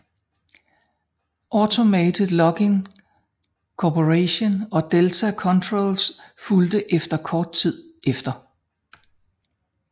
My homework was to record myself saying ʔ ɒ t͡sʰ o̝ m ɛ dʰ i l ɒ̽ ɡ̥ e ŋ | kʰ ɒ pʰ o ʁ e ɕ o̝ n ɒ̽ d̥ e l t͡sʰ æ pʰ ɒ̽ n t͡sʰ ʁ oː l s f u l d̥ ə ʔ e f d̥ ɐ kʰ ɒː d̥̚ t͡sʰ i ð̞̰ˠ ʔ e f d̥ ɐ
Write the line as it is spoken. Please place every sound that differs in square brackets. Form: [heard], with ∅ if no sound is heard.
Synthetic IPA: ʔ ɒ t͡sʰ o̝ m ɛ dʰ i l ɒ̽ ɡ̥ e ŋ | kʰ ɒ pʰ o ʁ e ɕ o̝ n ɒ̽ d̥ e l t͡sʰ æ [kʰ] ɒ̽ n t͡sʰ ʁ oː l s f u l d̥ ə ʔ e f d̥ ɐ kʰ ɒː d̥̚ t͡sʰ i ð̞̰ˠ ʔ e f d̥ ɐ